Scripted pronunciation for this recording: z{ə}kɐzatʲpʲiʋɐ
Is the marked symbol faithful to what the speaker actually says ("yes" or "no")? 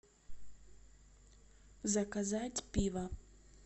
no